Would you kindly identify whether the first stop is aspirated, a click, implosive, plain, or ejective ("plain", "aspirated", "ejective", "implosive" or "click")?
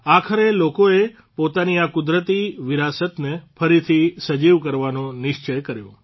aspirated